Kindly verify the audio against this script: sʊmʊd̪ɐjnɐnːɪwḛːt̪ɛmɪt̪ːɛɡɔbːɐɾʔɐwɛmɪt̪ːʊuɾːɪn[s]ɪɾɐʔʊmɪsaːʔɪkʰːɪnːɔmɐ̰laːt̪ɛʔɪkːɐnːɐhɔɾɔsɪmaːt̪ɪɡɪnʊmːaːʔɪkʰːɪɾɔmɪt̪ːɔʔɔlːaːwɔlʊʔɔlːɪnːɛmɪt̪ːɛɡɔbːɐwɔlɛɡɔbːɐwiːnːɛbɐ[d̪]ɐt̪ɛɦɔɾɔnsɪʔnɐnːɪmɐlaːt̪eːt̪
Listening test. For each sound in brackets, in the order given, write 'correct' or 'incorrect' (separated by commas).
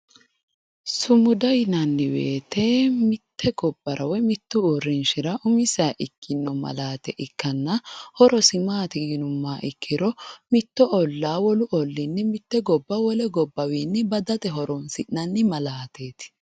incorrect, correct